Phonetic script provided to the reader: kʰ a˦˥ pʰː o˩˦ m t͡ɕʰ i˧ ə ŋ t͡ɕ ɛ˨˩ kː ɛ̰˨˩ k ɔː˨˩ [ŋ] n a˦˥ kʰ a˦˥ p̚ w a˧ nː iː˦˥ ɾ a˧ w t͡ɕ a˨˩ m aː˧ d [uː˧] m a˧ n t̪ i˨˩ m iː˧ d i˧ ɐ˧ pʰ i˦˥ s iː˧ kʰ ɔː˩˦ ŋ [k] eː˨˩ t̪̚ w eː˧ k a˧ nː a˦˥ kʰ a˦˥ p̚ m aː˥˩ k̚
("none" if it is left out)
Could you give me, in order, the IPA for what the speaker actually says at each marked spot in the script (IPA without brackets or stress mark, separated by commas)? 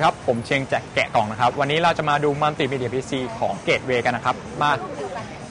ŋ, uː˧, k